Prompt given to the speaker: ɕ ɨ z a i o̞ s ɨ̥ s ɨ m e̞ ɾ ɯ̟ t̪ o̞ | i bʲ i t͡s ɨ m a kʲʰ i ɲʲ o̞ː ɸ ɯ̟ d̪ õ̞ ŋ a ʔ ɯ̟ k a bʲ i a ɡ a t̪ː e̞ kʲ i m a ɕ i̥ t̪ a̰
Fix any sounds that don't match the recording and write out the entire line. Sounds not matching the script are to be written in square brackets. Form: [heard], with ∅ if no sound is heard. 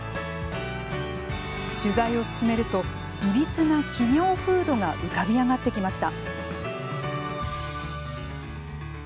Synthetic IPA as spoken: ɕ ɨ z a i o̞ s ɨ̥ s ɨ m e̞ ɾ ɯ̟ t̪ o̞ | i bʲ i t͡s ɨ [n] a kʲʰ i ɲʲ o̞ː ɸ [ɯ̟ː] d̪ [o̞] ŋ a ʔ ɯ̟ k a bʲ i a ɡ a t̪ː e̞ kʲ i m a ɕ i̥ t̪ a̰

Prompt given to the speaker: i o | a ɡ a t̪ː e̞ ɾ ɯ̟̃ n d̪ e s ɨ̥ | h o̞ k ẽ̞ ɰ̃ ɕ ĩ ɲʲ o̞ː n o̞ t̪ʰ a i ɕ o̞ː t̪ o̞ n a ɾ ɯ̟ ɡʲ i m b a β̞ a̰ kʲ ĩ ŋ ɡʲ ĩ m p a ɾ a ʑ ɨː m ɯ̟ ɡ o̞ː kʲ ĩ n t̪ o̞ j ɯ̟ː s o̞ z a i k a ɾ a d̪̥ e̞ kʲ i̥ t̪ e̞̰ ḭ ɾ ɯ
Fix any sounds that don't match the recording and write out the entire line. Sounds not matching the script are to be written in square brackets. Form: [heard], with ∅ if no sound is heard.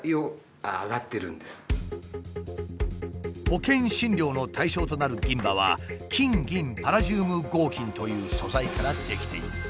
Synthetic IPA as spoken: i o | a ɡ a t̪ː e̞ ɾ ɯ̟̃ n d̪ e s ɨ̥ | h o̞ k ẽ̞ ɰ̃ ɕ ĩ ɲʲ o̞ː n o̞ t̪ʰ a i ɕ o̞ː t̪ o̞ n a ɾ ɯ̟ ɡʲ [ĩ] m b a β̞ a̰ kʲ ĩ ŋ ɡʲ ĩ m p a ɾ a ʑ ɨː m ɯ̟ ɡ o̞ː kʲ ĩ n t̪ o̞ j ɯ̟ː s o̞ z a i k a ɾ a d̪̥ e̞ kʲ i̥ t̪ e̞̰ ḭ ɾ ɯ

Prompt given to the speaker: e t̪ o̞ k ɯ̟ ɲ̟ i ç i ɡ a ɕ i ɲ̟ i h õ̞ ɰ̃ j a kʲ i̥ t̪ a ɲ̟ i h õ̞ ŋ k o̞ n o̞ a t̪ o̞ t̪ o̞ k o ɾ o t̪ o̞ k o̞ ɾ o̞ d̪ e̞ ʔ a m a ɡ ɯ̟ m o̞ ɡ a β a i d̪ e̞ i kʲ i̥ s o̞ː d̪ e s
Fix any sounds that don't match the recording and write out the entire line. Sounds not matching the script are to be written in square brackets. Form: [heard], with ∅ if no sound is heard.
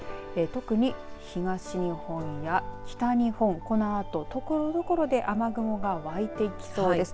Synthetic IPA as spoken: e t̪ o̞ k ɯ̟ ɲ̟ i ç i ɡ a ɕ i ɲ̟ i h õ̞ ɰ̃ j a kʲ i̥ t̪ a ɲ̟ i h õ̞ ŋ k o̞ n o̞ a t̪ o̞ t̪ o̞ k o ɾ o [d̪] o̞ k o̞ ɾ o̞ d̪ e̞ ʔ a m a ɡ ɯ̟ m o̞ ɡ a β a i [t̪] e̞ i kʲ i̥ s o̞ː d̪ e s

